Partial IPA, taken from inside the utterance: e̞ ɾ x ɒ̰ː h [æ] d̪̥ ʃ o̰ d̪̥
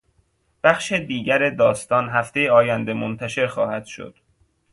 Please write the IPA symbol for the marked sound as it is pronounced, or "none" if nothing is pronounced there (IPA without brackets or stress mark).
æ